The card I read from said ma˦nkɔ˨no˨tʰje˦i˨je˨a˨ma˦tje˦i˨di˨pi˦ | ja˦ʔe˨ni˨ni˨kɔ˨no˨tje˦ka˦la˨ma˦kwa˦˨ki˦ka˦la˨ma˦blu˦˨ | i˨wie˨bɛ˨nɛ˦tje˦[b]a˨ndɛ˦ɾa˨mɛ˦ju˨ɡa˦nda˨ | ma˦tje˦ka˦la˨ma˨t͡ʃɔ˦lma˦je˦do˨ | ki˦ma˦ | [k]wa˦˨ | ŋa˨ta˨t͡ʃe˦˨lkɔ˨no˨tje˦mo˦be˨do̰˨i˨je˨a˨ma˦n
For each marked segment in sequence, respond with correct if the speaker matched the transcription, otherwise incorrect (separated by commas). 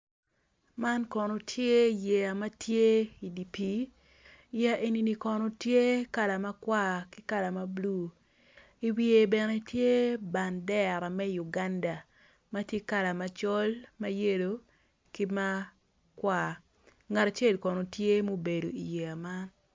correct, correct